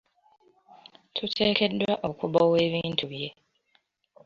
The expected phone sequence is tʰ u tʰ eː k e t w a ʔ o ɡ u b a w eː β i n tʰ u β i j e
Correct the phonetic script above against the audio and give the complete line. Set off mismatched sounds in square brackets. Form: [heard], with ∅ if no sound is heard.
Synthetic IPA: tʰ u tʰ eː k e [d] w a ʔ o [k] u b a w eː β i n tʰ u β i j e